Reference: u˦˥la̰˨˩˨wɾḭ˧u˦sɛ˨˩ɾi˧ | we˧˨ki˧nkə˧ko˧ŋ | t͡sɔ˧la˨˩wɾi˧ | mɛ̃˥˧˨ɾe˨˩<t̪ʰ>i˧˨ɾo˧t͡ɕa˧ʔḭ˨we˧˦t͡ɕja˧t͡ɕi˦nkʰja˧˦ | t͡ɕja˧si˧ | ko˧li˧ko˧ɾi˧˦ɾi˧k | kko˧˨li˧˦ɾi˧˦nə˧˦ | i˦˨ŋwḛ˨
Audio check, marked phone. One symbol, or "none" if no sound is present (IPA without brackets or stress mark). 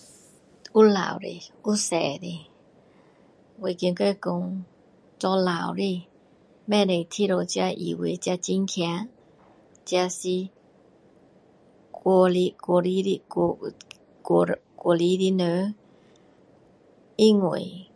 t̪ʰ